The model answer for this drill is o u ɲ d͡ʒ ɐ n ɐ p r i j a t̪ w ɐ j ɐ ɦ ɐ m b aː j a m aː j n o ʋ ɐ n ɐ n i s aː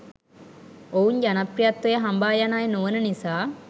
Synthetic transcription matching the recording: o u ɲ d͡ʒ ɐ n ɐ p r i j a t̪ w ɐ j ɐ ɦ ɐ m b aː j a n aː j n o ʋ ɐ n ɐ n i s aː

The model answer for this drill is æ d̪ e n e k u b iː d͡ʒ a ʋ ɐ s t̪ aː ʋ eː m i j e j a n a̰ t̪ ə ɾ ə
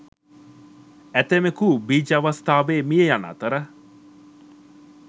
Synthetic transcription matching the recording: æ t̪ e m e k u b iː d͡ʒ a ʋ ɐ s t̪ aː ʋ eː m i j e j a n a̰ t̪ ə ɾ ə

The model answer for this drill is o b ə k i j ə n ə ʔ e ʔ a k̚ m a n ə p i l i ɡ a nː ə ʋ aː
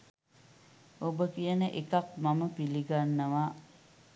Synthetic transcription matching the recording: o b ə k i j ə n ə ʔ e k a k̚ m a m ə p i l i ɡ a nː ə ʋ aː

